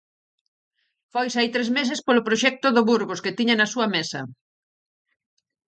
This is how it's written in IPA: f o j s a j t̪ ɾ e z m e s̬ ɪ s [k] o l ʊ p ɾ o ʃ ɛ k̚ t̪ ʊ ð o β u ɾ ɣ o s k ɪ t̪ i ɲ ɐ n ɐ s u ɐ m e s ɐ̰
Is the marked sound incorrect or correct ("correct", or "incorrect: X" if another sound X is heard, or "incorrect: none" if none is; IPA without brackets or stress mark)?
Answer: incorrect: p